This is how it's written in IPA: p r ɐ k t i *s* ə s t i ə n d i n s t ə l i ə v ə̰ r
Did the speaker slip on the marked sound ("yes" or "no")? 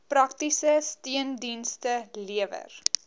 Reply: no